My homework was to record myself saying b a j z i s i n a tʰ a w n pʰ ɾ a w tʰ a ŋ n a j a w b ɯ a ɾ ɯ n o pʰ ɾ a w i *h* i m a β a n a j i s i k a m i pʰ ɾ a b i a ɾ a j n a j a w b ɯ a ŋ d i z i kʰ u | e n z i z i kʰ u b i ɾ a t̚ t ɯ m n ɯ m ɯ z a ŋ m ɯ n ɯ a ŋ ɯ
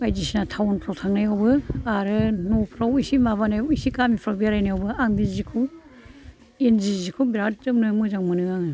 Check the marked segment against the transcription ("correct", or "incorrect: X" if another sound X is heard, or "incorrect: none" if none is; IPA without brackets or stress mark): incorrect: s